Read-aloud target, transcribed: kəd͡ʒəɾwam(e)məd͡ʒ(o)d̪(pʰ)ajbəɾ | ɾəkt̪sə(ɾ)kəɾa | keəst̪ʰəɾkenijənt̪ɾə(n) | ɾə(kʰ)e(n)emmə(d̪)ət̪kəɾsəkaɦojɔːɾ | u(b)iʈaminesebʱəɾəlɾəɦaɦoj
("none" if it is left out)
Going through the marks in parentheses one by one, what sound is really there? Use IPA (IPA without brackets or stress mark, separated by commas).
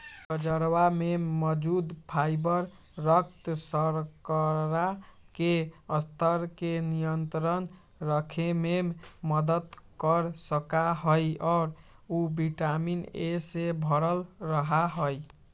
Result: e, u, pʰ, ɾ, n, kʰ, m, d̪, b